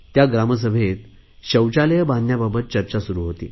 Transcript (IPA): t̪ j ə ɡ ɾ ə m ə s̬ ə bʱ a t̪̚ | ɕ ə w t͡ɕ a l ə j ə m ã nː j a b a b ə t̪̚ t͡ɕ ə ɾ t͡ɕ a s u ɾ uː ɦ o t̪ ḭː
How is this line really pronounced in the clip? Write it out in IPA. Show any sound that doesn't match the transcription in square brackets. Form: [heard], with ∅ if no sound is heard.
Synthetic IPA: t̪ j [a] ɡ ɾ [a] m ə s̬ ə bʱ [e] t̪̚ | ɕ ə w t͡ɕ a l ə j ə [b] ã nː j a b a b ə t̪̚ t͡ɕ ə ɾ t͡ɕ a s u ɾ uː ɦ o t̪ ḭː